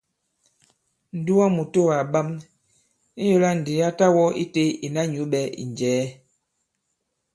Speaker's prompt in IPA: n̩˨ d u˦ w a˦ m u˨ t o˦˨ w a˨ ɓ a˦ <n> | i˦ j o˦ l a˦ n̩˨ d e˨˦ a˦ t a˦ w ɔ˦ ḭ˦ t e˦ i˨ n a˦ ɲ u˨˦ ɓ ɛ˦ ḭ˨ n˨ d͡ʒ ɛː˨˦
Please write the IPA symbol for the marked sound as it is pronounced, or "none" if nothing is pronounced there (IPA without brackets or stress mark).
m